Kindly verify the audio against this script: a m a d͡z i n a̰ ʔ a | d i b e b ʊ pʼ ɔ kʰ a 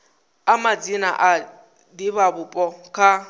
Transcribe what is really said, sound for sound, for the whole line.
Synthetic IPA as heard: a m a d͡z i n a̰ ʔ a | d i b a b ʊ pʼ ɔ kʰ a